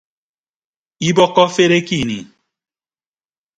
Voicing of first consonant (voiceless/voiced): voiced